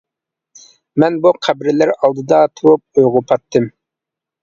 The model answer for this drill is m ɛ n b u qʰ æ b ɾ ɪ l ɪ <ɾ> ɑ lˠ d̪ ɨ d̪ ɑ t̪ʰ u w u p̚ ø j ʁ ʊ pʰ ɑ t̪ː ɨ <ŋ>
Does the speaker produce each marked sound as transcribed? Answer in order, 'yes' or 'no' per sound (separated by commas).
yes, no